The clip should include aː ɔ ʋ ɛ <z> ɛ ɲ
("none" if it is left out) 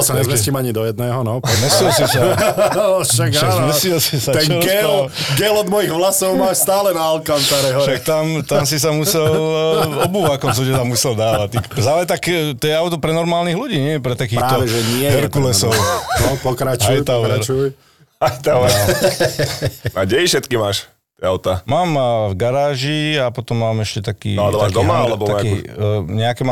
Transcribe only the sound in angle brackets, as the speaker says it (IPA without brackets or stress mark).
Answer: ʒ